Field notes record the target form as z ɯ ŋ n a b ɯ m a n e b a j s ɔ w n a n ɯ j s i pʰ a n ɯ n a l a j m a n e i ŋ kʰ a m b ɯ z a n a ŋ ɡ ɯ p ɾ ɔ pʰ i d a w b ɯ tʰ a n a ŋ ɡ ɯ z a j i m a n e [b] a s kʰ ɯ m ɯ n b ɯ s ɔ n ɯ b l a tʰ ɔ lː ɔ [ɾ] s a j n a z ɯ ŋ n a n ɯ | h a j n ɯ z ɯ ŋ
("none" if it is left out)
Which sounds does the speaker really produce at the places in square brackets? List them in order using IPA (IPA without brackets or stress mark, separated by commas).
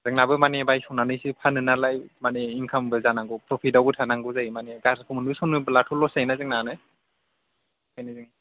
ɡ, none